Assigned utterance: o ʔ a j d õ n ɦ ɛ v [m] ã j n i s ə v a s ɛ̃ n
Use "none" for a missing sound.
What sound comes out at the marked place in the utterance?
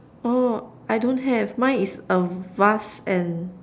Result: m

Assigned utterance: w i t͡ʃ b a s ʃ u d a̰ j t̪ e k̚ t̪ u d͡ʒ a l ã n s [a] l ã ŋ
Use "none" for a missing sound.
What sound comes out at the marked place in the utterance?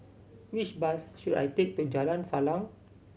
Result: a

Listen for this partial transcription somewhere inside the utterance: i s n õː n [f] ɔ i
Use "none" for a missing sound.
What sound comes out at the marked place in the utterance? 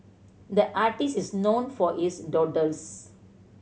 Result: f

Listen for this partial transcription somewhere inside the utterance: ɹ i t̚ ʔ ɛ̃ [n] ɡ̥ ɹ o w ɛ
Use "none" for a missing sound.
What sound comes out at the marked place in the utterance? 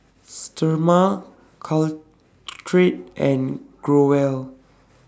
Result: n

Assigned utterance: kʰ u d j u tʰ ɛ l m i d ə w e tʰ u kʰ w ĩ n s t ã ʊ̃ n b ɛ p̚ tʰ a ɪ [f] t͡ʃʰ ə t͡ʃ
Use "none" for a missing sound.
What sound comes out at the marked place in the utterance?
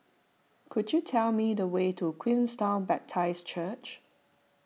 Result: s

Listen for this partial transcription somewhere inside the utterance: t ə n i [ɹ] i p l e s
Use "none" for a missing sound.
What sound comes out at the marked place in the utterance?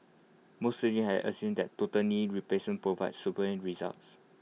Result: ɹ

